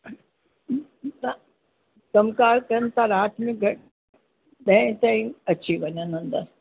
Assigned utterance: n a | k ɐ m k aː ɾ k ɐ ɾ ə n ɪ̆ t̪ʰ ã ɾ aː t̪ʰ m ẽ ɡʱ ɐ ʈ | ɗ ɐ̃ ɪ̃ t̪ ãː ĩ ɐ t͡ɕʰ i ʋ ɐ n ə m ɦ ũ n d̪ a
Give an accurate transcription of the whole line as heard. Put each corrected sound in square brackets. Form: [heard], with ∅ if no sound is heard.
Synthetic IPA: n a | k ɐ m k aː ɾ k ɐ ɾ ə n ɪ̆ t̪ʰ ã ɾ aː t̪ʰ m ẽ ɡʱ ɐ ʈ | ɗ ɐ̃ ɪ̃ t̪ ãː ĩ ɐ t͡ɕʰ i ʋ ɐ [ɲ] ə [n] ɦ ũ n d̪ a